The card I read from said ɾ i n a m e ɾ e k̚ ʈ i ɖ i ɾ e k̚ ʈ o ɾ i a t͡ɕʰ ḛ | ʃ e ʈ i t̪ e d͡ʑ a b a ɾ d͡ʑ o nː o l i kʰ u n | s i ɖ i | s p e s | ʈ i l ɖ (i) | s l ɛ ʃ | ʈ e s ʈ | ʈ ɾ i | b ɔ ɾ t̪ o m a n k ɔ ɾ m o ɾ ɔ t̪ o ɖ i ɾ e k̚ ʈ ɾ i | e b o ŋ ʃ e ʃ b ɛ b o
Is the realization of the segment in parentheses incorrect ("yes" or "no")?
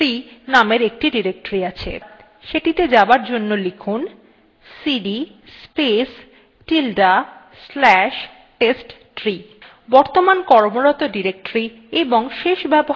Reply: yes